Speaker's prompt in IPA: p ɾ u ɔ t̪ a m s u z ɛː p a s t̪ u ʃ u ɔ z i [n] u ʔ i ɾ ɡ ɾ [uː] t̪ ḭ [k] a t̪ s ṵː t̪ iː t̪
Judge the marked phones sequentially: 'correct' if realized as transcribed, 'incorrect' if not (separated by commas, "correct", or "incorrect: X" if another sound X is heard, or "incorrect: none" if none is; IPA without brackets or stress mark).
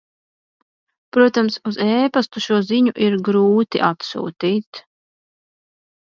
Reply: incorrect: ɲ, correct, incorrect: ʔ